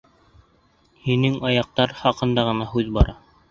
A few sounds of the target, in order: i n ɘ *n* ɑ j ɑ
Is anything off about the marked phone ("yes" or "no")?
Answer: yes